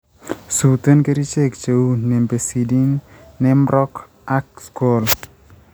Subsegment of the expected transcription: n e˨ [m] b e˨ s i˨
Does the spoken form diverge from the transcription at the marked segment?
no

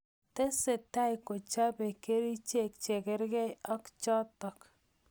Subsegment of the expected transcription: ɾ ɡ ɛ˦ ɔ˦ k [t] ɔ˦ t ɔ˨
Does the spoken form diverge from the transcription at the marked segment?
yes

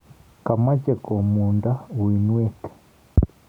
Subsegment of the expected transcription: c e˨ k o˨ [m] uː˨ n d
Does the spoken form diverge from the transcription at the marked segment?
no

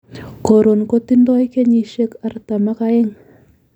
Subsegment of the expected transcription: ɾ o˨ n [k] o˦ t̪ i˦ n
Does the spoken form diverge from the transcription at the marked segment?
no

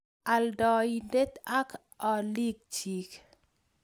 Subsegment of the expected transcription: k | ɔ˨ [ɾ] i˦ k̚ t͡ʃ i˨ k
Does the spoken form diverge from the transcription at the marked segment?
yes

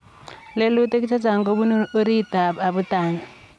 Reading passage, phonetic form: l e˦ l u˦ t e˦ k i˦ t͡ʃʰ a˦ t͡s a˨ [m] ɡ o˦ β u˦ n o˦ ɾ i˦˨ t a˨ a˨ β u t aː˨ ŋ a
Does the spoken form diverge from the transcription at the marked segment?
yes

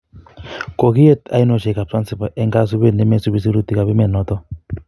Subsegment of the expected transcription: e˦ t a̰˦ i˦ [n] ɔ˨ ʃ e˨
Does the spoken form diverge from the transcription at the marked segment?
no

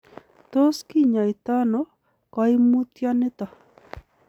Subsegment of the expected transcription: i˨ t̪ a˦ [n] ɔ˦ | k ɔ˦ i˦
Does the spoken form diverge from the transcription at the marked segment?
no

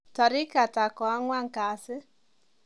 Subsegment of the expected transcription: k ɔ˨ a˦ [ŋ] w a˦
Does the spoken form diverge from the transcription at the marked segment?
no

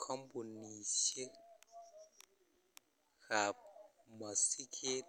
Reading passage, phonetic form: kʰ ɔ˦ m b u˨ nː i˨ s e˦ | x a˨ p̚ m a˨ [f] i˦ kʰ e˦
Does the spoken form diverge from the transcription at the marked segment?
yes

